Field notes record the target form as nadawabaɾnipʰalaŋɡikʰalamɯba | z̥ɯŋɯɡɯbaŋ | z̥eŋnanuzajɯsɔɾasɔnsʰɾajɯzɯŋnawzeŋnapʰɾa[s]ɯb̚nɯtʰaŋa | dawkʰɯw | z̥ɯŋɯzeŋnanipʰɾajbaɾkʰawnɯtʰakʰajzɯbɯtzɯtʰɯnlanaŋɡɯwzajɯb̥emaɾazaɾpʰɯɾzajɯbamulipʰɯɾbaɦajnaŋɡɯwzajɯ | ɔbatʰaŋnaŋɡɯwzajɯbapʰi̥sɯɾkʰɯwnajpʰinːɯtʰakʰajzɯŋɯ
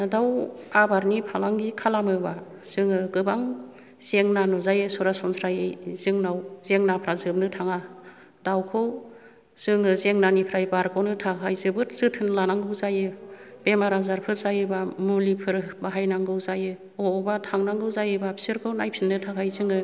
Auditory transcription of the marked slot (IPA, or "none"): z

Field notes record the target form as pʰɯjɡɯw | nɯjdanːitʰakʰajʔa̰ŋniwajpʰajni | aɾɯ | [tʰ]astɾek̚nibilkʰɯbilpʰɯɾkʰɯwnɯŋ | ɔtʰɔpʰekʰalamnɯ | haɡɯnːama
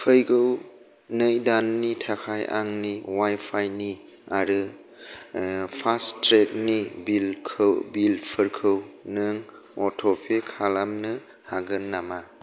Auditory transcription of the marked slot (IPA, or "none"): pʰ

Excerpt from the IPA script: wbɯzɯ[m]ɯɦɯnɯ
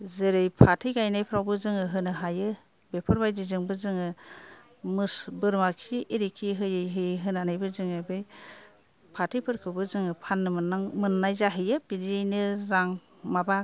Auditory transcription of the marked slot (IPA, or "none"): ŋ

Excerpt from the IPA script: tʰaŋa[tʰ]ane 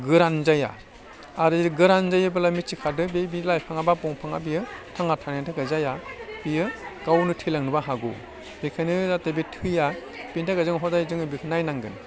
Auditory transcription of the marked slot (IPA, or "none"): tʰ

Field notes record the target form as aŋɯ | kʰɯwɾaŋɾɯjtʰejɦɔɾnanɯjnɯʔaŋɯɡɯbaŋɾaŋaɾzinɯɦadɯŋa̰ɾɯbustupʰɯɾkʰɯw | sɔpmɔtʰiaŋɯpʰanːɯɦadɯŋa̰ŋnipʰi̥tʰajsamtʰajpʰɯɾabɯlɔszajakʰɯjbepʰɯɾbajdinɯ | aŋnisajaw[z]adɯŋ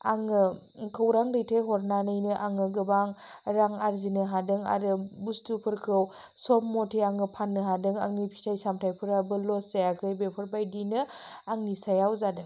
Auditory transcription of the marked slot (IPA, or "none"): z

